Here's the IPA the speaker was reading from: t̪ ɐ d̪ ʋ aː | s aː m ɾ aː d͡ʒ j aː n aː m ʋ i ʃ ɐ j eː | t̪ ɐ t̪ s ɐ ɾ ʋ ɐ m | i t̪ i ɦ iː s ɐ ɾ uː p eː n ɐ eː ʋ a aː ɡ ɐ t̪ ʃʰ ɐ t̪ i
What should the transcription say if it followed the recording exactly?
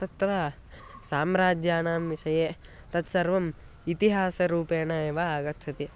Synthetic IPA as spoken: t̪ ɐ t̪ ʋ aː | s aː m ɾ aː d͡ʒ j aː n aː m ʋ i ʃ ɐ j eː | t̪ ɐ t̪ s ɐ ɾ ʋ ɐ m | i t̪ i ɦ aː s ɐ ɾ uː p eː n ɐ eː ʋ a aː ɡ ɐ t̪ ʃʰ ɐ t̪ i

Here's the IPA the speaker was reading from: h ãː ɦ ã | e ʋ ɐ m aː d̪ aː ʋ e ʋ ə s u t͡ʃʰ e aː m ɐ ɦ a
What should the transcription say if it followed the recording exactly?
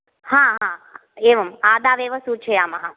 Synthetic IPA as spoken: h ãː ɦ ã | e ʋ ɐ m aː d̪ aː ʋ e ʋ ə s u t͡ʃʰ e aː m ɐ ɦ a

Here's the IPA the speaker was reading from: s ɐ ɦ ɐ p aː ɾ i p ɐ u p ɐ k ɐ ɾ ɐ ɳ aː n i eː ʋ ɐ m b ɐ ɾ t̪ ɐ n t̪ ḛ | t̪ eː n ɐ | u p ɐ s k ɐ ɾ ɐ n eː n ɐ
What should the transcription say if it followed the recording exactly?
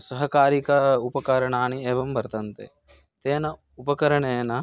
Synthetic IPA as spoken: s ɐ ɦ ɐ k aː ɾ i k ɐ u p ɐ k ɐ ɾ ɐ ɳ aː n i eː ʋ ɐ m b ɐ ɾ t̪ ɐ n t̪ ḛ | t̪ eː n ɐ | u p ɐ k ɐ ɾ ɐ ɳ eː n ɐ

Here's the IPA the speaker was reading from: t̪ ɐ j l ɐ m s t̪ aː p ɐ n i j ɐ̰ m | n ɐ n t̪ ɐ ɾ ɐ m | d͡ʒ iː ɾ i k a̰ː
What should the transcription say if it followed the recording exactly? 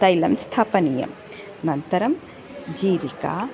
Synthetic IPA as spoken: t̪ ɐ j l ɐ m s t̪ʰ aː p ɐ n i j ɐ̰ m | n ɐ n t̪ ɐ ɾ ɐ m | d͡ʒ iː ɾ i k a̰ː

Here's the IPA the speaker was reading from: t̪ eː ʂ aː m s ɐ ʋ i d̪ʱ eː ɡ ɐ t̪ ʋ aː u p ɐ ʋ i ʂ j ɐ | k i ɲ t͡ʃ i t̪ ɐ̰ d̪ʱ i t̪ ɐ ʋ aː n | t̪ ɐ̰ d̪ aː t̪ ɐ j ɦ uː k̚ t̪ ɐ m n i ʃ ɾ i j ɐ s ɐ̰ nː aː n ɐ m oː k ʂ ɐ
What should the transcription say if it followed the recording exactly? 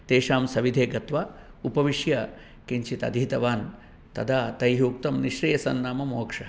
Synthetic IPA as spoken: t̪ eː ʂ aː m s ɐ ʋ i d̪ʱ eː ɡ ɐ t̪ ʋ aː u p ɐ ʋ i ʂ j ɐ | k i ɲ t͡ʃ i t̪ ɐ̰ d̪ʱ i t̪ ɐ ʋ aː n | t̪ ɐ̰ d̪ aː t̪ ɐ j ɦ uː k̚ t̪ ɐ m n i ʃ ɾ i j ɐ s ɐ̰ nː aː m ɐ m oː k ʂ ɐ

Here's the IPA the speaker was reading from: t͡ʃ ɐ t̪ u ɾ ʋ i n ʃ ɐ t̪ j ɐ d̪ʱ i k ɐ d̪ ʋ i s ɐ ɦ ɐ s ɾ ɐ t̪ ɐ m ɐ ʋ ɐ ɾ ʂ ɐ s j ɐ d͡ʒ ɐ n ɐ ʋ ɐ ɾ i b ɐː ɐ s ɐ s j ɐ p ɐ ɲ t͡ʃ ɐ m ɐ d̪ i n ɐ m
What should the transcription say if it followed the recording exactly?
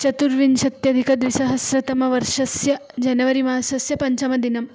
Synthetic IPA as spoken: t͡ʃ ɐ t̪ u ɾ ʋ i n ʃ ɐ t̪ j ɐ d̪ʱ i k ɐ d̪ ʋ i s ɐ ɦ ɐ s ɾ ɐ t̪ ɐ m ɐ ʋ ɐ ɾ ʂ ɐ s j ɐ d͡ʒ ɐ n ɐ ʋ ɐ ɾ i m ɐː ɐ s ɐ s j ɐ p ɐ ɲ t͡ʃ ɐ m ɐ d̪ i n ɐ m

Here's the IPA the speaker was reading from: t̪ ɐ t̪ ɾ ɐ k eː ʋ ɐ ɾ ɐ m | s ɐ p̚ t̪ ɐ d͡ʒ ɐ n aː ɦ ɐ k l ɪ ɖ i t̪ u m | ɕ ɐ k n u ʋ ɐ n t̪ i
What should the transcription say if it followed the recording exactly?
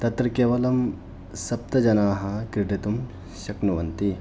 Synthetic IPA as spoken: t̪ ɐ t̪ ɾ ɐ k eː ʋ ɐ l ɐ m | s ɐ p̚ t̪ ɐ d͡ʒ ɐ n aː ɦ ɐ k ɾ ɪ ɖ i t̪ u m | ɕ ɐ k n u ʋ ɐ n t̪ i

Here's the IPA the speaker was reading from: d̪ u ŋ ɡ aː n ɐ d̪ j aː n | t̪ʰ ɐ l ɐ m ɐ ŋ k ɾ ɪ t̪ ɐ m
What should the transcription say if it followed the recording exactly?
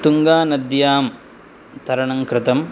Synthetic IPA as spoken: t̪ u ŋ ɡ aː n ɐ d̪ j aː m | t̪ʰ ɐ ɾ ɐ ɳ ɐ ŋ k ɾ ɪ t̪ ɐ m

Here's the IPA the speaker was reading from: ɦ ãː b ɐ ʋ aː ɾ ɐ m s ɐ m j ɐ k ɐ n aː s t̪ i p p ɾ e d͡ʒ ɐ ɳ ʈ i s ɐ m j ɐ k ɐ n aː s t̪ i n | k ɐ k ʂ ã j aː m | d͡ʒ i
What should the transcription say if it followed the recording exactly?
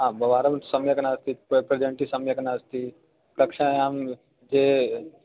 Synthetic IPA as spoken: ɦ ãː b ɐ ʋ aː ɾ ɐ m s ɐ m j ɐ k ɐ n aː s t̪ i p p ɾ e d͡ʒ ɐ ɳ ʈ i s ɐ m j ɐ k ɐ n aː s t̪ i | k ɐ k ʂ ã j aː m | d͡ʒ e

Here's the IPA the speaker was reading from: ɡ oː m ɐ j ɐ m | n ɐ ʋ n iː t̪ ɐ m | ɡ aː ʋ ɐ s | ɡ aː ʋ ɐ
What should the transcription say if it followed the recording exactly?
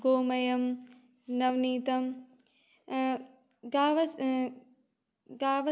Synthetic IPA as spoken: ɡ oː m ɐ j ɐ m | n ɐ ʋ n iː t̪ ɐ m | ɡ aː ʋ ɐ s | ɡ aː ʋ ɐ

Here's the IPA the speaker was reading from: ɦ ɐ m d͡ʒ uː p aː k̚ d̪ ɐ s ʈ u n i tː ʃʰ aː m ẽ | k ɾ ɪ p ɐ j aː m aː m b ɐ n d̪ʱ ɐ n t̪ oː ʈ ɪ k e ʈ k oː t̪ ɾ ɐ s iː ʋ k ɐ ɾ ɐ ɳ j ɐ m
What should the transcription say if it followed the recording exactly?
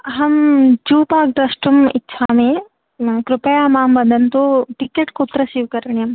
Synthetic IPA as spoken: ɦ ɐ m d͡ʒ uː p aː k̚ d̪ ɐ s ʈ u m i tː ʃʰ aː m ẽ | k ɾ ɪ p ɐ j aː m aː m b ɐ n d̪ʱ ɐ n t̪ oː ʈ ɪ k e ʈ k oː t̪ ɾ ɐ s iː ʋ k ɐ ɾ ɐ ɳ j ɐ m

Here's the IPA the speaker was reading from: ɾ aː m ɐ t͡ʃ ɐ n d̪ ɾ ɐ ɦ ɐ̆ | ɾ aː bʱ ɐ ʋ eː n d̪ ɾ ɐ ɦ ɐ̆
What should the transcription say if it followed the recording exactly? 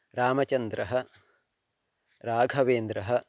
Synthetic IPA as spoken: ɾ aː m ɐ t͡ʃ ɐ n d̪ ɾ ɐ ɦ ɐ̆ | ɾ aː ɡʱ ɐ ʋ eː n d̪ ɾ ɐ ɦ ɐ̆

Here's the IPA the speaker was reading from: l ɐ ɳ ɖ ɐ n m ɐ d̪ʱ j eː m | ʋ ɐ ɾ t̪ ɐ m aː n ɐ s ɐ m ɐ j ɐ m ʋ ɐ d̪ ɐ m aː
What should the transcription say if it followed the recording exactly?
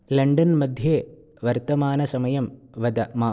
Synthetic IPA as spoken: l ɐ ɳ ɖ ɐ n m ɐ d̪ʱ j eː | ʋ ɐ ɾ t̪ ɐ m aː n ɐ s ɐ m ɐ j ɐ m ʋ ɐ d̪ ɐ m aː

